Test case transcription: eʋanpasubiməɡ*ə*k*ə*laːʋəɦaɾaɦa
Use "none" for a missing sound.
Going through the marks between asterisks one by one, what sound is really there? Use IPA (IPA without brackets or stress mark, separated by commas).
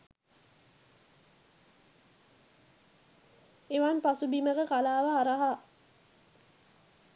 ə, a